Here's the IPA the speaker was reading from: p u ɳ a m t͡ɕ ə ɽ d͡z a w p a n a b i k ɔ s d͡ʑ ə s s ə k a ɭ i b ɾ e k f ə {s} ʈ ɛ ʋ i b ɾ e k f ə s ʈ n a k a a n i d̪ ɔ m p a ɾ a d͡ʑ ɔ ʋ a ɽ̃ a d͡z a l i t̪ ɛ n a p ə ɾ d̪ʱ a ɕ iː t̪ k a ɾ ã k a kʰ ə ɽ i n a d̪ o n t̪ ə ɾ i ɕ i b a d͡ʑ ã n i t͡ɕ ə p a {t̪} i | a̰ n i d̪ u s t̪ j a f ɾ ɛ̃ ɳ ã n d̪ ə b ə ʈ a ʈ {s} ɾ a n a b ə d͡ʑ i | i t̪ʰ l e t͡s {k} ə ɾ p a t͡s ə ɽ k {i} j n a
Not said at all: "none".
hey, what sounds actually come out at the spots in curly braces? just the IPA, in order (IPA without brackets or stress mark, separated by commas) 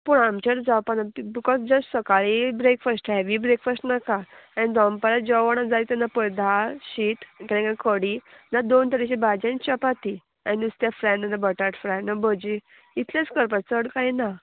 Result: s, t̪, f, k, a